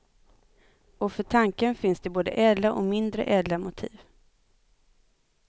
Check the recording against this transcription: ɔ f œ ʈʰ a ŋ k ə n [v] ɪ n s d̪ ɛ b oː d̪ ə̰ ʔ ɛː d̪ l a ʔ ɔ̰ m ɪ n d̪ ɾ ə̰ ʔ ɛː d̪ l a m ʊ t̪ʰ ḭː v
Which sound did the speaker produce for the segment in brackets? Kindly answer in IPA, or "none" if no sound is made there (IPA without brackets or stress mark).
f